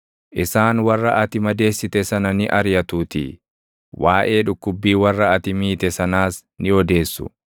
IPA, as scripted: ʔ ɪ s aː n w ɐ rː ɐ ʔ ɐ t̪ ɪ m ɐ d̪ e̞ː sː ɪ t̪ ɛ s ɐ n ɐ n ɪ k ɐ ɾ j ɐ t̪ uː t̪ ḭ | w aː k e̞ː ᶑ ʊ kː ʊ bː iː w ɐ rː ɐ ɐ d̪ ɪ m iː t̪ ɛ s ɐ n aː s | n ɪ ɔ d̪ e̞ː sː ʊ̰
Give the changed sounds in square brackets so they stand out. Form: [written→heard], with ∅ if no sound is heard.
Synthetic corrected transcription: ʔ ɪ s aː n w ɐ rː ɐ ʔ ɐ t̪ ɪ m ɐ d̪ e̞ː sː ɪ t̪ ɛ s ɐ n ɐ n ɪ [k→ʔ] ɐ ɾ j ɐ t̪ uː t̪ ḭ | w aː [k→ʔ] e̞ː ᶑ ʊ kː ʊ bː iː w ɐ rː ɐ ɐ [d̪→t̪] ɪ m iː t̪ ɛ s ɐ n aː s | n ɪ ɔ d̪ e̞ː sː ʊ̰